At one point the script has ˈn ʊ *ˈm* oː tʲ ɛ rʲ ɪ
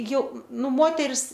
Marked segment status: correct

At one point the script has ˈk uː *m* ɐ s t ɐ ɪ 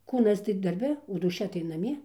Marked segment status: incorrect: n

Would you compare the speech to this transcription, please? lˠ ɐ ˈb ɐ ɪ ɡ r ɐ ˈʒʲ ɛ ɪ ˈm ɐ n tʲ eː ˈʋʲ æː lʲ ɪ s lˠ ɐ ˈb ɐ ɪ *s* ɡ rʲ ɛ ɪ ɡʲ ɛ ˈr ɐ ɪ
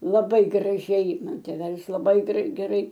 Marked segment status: incorrect: none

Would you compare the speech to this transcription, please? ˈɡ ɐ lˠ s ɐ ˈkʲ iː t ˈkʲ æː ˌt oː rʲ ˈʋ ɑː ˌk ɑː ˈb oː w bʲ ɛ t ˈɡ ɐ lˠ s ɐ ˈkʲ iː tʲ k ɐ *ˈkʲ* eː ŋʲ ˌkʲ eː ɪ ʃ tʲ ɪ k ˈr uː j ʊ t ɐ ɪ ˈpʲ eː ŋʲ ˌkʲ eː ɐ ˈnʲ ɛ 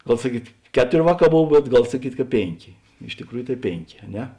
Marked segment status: incorrect: pʲ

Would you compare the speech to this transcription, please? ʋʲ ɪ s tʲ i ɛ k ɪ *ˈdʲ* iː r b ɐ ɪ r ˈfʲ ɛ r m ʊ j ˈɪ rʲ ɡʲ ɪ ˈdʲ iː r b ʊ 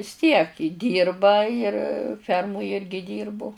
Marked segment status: correct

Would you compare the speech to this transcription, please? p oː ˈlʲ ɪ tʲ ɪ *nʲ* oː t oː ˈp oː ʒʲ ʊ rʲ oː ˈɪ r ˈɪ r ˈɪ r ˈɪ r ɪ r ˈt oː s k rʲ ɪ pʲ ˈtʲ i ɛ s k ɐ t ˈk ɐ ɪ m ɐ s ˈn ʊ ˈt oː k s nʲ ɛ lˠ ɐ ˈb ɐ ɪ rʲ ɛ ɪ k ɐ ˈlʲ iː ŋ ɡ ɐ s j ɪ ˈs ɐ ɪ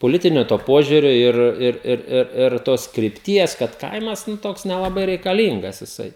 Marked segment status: correct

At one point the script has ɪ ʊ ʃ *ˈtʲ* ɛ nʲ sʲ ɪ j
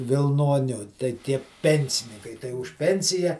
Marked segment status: incorrect: pʲ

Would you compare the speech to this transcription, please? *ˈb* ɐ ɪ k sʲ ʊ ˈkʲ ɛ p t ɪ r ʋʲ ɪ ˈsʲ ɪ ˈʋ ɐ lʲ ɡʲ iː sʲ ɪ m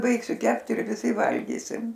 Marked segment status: correct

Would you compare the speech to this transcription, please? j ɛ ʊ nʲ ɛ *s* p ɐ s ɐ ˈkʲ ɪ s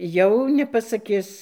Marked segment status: incorrect: none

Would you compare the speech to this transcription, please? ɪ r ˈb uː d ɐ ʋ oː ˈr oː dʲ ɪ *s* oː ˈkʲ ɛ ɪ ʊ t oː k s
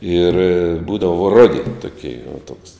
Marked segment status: incorrect: t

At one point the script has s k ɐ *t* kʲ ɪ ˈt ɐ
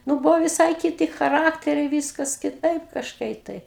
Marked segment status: incorrect: s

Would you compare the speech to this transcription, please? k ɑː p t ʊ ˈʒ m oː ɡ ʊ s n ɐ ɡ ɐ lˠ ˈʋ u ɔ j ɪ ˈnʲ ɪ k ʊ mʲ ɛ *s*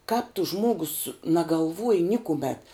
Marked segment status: incorrect: t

